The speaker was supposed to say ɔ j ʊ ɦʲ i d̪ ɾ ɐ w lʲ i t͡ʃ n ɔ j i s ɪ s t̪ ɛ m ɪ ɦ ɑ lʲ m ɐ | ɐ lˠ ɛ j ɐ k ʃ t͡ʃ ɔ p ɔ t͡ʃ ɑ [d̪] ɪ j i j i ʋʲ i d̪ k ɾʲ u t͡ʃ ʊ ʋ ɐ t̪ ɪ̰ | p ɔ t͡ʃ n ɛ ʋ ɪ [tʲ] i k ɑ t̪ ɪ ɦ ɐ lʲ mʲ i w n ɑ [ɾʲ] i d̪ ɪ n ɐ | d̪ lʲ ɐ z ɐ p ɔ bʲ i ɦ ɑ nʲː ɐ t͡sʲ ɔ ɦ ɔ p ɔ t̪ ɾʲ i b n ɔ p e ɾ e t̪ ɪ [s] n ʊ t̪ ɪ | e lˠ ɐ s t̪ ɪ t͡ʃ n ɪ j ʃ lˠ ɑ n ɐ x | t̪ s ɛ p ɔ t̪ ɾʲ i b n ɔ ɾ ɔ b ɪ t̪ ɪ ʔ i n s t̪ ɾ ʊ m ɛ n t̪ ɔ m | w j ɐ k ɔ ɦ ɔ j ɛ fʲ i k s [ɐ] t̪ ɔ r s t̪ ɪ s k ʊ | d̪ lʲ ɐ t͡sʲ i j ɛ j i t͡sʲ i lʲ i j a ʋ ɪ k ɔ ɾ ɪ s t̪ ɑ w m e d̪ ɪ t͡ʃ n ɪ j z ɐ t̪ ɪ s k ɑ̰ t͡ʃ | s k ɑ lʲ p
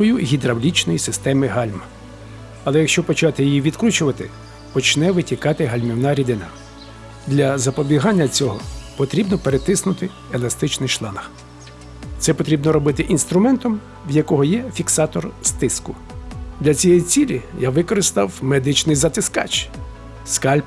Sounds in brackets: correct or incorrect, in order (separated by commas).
incorrect, correct, correct, correct, incorrect